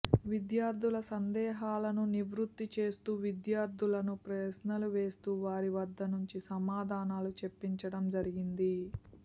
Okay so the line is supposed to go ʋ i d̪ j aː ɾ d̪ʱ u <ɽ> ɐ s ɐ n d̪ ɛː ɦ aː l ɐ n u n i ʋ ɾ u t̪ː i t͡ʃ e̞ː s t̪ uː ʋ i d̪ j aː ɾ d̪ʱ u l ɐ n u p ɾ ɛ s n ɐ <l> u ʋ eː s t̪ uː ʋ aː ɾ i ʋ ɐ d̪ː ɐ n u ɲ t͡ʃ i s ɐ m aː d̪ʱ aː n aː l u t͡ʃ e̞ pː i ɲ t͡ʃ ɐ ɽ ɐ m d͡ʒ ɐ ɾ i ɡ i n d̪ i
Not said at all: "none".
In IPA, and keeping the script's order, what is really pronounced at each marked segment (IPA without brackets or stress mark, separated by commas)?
l, l